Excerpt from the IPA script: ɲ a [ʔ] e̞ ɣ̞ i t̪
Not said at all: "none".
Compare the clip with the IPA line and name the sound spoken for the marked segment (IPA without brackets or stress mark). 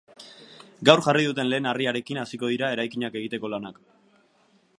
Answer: k